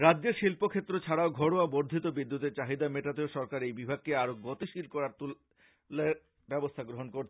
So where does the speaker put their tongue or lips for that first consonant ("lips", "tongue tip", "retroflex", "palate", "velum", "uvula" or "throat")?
tongue tip